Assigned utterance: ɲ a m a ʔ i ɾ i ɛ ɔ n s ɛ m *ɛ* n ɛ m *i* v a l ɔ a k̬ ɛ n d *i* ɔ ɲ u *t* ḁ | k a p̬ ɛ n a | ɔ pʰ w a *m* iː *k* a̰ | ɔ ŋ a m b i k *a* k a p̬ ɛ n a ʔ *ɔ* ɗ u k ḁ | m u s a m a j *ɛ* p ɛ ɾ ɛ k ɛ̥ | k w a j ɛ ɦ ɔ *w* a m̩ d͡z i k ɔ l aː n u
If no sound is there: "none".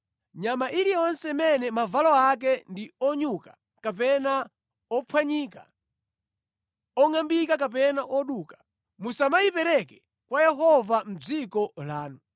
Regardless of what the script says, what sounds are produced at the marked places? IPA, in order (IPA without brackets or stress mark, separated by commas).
ɛ, a, i, k, ɲ, k, a, ɔ, i, v